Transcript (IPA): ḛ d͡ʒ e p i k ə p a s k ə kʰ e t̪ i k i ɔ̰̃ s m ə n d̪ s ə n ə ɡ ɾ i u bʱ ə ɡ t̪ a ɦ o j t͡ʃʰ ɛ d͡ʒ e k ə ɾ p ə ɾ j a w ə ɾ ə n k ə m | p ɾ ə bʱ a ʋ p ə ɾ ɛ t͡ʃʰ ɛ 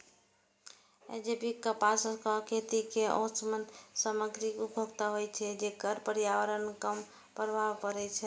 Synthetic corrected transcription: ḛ d͡ʒ e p i k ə p a s k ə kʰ e t̪ i k e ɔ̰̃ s m ə n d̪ s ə m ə ɡ ɾ i u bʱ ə ɡ t̪ a ɦ o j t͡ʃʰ ɛ d͡ʒ e k ə ɾ p ə ɾ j a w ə ɾ ə n k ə m | p ɾ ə bʱ a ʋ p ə ɾ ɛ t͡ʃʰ ɛ